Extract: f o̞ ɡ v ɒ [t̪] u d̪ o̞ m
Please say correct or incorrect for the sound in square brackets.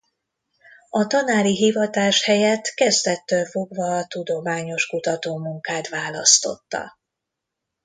correct